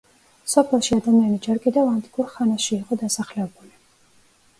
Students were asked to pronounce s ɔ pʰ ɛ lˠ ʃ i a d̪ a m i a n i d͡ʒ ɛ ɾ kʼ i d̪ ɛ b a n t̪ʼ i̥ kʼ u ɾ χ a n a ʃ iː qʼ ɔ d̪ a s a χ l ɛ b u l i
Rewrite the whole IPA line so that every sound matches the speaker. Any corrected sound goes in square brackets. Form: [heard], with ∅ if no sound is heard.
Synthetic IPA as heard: s ɔ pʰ ɛ lˠ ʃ i a d̪ a m i a n i d͡ʒ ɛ ɾ kʼ i d̪ ɛ [v] a n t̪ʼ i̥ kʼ u ɾ χ a n a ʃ iː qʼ ɔ d̪ a s a χ l ɛ b u l i